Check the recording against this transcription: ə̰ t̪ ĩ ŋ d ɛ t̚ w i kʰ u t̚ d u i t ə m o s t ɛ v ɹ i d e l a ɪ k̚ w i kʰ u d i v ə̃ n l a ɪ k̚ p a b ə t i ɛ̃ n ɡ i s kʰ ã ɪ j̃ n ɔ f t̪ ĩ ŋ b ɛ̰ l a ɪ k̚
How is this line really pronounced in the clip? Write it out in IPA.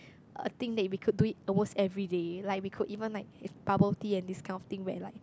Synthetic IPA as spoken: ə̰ t̪ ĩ ŋ d ɛ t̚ w i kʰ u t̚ d u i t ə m o s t ɛ v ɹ i d e l a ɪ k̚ w i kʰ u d i v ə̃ n l a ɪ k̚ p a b ə t i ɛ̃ n d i s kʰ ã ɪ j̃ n ɔ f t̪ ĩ ŋ w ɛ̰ l a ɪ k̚